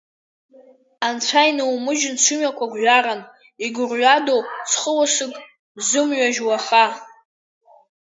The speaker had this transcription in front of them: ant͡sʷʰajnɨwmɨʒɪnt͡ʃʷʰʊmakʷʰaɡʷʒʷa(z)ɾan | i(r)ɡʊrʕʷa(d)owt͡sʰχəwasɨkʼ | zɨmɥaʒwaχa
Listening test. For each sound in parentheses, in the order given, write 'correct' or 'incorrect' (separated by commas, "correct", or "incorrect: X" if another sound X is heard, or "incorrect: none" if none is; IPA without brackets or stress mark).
incorrect: none, incorrect: none, correct